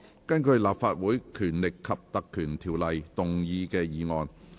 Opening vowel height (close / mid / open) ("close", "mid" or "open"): open